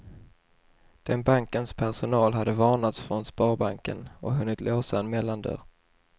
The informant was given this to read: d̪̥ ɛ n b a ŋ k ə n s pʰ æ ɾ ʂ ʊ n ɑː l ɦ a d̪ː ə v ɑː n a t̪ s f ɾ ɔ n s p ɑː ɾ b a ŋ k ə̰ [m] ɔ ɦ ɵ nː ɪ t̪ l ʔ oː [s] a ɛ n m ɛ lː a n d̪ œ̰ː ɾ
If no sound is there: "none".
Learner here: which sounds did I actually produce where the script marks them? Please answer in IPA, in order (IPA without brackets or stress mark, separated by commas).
n, s